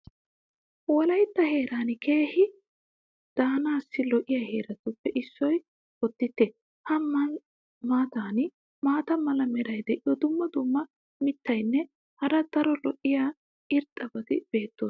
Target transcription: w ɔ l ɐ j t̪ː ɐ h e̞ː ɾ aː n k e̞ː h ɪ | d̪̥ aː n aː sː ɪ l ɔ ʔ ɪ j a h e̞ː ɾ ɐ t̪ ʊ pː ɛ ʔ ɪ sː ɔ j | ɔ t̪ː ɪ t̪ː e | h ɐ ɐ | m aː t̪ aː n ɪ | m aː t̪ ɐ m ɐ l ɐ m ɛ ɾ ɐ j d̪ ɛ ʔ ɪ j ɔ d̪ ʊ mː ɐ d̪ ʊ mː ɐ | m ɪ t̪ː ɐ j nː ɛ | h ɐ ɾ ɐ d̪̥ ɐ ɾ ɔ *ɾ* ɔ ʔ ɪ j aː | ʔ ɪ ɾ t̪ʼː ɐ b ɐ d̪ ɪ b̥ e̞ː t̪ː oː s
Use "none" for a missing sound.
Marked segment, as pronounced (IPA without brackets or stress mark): l